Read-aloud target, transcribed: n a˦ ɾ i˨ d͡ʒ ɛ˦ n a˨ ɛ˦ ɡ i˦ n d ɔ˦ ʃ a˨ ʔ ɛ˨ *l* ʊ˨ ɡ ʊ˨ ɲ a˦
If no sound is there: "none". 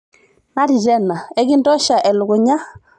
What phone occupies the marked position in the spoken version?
l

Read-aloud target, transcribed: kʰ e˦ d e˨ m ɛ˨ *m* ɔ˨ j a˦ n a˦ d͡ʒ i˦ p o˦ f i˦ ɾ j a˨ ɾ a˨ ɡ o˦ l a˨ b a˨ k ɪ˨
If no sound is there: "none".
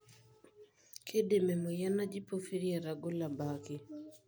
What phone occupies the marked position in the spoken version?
m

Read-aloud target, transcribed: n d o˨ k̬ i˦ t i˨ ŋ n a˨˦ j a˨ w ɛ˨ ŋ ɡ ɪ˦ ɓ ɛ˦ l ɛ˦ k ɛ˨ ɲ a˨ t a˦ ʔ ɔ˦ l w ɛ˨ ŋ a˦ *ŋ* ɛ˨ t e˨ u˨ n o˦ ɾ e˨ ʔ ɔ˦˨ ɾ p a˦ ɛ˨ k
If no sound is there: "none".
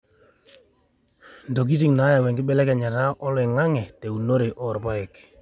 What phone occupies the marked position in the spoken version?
ŋ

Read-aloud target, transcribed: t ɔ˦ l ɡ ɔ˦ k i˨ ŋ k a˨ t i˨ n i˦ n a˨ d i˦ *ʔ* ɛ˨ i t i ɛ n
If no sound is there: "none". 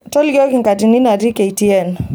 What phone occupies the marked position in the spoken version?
k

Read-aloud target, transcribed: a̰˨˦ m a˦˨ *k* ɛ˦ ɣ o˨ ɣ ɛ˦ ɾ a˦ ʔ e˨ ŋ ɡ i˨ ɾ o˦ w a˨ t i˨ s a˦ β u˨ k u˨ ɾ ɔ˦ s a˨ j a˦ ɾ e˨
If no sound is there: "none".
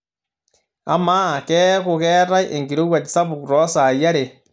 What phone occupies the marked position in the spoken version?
k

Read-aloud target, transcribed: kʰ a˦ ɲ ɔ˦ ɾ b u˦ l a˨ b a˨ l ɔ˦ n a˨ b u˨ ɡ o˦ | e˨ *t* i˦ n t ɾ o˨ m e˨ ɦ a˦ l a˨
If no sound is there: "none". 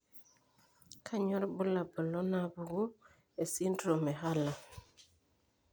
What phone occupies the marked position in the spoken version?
s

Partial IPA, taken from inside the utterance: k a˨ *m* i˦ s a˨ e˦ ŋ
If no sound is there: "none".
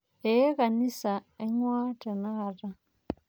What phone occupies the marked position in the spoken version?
n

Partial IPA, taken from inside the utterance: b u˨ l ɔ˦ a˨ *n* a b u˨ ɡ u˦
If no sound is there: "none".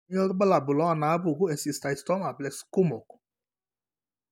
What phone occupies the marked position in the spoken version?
n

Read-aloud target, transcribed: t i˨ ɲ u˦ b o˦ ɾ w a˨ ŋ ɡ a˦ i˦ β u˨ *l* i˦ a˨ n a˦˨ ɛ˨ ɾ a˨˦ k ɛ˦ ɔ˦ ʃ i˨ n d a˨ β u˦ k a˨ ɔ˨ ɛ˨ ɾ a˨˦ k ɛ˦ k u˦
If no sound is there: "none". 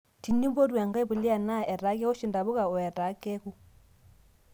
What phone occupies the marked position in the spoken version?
l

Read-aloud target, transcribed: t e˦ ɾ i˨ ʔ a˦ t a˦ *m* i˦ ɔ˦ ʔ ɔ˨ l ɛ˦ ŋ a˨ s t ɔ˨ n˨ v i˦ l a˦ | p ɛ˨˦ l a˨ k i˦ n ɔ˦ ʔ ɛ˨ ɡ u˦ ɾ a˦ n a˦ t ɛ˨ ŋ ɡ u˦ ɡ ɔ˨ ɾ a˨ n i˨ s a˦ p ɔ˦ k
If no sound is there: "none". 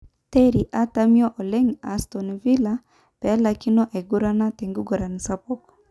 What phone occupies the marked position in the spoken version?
m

